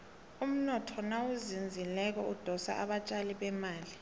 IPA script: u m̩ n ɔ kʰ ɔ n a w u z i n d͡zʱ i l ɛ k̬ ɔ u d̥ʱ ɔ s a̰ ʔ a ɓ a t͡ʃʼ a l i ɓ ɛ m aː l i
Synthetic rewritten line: u m̩ n ɔ tʰ ɔ n a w u z i n d͡zʱ i l ɛ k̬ ɔ u d̥ʱ ɔ s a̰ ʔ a ɓ a t͡ʃʼ a l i ɓ ɛ m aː l i